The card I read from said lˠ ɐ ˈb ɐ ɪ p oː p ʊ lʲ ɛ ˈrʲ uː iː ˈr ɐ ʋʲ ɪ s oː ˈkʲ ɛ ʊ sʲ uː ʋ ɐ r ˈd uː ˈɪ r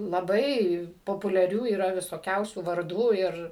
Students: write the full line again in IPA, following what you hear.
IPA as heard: lˠ ɐ ˈb ɐ ɪ p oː p ʊ lʲ ɛ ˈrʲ uː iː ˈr ɐ ʋʲ ɪ s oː ˈkʲ ɛ ʊ sʲ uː ʋ ɐ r ˈd uː ˈɪ r